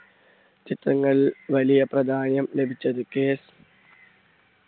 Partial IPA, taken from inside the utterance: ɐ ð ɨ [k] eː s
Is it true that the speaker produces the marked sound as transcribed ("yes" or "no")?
yes